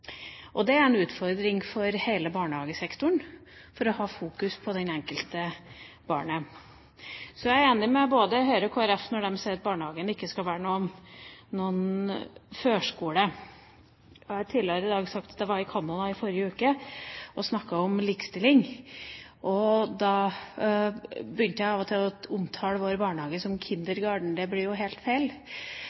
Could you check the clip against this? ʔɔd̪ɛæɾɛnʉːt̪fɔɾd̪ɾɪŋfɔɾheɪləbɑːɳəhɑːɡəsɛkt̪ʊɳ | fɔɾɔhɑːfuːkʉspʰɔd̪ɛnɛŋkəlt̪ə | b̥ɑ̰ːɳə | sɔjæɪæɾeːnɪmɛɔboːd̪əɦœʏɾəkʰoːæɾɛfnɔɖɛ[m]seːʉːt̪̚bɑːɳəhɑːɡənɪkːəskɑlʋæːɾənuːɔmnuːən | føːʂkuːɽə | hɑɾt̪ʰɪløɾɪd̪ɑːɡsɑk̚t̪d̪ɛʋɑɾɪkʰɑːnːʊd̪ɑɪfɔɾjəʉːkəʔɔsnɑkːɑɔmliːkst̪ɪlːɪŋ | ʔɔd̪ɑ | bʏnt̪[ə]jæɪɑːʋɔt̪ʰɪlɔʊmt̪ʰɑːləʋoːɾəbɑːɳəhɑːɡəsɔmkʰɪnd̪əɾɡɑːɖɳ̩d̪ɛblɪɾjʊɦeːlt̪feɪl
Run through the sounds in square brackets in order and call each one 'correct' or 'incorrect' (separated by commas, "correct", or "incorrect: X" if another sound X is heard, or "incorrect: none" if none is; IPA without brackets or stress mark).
correct, correct